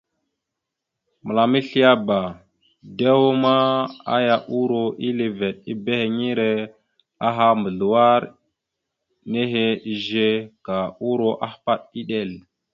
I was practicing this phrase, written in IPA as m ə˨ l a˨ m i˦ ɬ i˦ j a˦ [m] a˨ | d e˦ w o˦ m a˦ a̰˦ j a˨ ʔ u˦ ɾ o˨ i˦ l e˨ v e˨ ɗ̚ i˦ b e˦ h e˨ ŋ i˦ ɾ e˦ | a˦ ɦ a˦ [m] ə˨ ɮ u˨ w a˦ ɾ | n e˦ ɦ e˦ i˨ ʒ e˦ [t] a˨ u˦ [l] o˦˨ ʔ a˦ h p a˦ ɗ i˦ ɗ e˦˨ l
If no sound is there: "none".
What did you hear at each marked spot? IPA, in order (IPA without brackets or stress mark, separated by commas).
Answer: b, m, k, ɾ